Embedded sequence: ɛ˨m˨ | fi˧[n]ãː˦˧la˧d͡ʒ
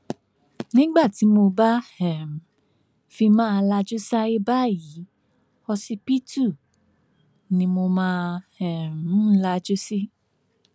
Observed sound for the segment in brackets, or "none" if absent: m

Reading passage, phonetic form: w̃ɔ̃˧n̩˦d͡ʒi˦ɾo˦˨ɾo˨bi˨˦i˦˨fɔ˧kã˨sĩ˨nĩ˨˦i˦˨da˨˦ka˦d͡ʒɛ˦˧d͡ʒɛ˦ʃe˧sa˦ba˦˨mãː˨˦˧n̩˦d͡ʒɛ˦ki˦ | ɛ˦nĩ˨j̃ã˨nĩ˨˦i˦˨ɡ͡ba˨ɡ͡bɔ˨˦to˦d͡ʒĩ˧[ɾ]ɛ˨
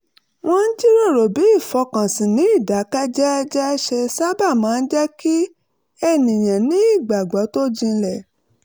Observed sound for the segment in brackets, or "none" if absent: l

